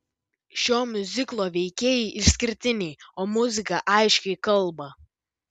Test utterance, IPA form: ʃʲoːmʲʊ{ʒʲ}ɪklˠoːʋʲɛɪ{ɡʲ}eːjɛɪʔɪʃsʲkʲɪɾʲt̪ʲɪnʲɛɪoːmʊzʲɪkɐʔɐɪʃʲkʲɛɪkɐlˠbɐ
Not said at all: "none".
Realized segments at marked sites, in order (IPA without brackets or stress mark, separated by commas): zʲ, kʲ